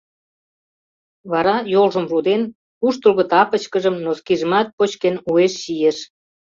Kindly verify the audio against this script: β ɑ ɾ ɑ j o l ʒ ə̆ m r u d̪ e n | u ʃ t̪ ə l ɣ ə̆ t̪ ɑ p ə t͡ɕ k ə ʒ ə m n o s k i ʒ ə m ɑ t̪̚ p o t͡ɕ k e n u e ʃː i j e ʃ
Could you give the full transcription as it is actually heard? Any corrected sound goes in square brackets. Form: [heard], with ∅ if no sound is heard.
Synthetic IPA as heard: β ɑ ɾ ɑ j o l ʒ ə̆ m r u d̪ e n | u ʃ t̪ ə l ɣ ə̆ t̪ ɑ p ə t͡ɕ k ə ʒ ə m n o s k i ʒ ə m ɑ t̪̚ p o t͡ɕ k e n u e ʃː i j e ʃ